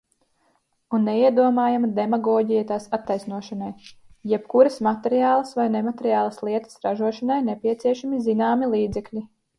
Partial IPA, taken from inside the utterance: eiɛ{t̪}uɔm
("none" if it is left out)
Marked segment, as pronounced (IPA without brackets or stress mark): d̪